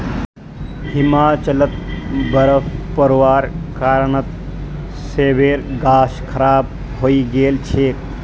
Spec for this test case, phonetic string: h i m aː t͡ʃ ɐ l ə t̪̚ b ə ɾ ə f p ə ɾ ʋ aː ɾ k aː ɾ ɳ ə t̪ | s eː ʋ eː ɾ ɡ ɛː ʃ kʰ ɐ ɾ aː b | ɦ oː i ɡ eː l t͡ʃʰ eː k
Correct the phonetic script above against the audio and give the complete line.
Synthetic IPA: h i m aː t͡ʃ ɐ l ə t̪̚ b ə ɾ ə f p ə ɾ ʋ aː ɾ k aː ɾ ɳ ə t̪ | s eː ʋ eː ɾ ɡ aː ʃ kʰ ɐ ɾ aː b | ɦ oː i ɡ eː l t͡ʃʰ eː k